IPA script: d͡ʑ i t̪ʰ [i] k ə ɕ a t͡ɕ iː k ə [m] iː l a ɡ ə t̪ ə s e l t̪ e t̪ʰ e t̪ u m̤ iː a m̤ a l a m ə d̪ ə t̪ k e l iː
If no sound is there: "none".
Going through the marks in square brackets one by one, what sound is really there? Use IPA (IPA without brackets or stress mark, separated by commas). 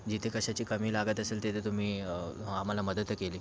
e, m